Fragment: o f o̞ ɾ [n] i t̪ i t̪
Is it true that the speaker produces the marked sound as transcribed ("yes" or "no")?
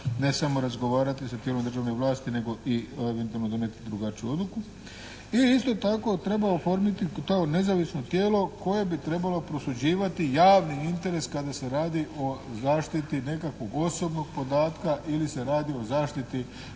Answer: no